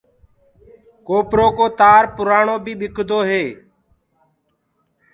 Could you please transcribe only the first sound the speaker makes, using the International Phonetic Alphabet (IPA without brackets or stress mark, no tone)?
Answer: k